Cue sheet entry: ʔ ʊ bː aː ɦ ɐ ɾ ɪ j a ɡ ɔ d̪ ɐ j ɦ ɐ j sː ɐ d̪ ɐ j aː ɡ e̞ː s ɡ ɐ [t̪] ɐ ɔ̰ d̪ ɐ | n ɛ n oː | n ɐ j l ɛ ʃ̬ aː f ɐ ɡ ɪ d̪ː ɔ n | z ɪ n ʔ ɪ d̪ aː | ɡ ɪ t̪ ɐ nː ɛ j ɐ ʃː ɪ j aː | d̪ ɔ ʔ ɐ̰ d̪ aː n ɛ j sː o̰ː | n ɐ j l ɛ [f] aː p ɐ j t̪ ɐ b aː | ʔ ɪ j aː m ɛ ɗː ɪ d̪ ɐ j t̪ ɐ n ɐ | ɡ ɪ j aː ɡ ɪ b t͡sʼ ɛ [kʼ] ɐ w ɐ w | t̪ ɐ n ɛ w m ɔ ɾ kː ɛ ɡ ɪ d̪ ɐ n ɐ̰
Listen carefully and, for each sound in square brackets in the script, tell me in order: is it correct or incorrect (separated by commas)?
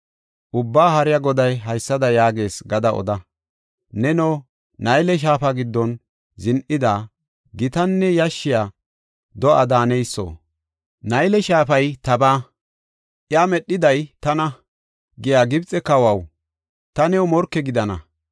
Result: incorrect, incorrect, incorrect